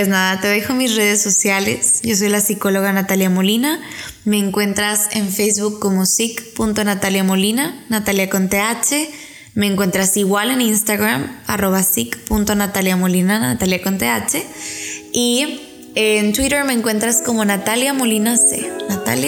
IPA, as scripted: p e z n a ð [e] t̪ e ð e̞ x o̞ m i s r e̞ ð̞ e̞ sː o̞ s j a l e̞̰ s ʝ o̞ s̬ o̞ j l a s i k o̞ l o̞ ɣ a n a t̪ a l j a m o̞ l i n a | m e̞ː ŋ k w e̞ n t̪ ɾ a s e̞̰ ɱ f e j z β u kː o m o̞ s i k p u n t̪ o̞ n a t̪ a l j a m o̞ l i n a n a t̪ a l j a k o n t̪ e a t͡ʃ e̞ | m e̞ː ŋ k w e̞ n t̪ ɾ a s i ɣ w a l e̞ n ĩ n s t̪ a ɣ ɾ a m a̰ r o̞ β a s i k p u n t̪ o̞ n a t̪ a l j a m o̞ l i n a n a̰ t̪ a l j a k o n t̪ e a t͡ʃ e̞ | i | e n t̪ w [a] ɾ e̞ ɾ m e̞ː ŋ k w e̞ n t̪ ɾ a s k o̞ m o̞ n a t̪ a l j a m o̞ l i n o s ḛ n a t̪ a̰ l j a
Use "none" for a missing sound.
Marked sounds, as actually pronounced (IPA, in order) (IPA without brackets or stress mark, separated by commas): a, i